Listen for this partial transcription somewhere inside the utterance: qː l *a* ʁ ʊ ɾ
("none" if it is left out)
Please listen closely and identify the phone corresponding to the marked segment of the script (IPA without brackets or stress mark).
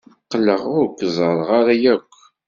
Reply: ə